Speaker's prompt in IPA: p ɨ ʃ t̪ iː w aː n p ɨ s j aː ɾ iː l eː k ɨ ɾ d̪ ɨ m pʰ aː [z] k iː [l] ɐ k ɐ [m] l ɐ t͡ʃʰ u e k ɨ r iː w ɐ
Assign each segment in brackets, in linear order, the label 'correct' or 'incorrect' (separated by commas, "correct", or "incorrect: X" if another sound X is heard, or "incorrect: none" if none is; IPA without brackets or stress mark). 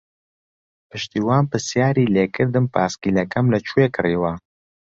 incorrect: s, correct, correct